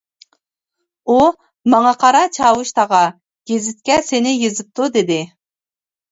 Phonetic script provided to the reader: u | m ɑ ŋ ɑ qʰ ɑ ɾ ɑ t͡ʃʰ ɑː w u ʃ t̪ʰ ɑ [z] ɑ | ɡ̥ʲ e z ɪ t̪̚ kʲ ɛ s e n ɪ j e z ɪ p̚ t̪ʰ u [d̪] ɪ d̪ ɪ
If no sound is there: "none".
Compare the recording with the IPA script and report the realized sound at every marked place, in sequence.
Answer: ʁ, d̪

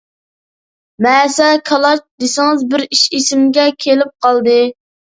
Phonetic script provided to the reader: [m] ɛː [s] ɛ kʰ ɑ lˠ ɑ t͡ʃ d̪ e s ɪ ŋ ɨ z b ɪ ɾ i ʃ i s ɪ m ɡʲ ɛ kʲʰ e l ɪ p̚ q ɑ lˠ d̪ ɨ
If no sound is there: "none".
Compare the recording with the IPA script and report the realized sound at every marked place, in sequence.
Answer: m, s

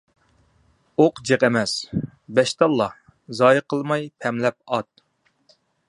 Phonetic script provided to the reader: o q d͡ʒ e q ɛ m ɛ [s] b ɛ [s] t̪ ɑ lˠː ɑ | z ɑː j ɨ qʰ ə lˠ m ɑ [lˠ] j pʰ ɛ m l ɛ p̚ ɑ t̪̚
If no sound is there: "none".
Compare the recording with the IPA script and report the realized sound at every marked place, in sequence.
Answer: s, ʃ, none

